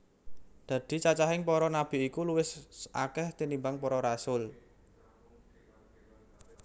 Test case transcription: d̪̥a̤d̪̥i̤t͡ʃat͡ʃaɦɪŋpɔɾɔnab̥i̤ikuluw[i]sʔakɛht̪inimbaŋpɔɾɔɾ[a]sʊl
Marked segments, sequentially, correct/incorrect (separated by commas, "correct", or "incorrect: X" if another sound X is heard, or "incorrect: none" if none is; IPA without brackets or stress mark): incorrect: ɪ, correct